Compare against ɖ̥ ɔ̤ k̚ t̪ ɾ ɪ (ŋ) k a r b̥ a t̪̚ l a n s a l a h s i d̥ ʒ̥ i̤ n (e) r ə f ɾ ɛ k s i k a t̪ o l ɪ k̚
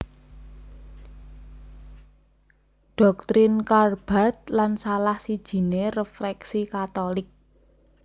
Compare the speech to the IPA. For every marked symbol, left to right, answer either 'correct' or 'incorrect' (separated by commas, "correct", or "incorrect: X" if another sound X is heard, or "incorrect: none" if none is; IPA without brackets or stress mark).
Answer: incorrect: n, correct